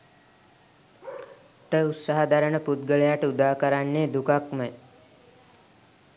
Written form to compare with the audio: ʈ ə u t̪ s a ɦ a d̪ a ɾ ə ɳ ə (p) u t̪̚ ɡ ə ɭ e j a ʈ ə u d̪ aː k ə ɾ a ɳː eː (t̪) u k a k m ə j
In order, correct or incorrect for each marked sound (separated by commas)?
correct, incorrect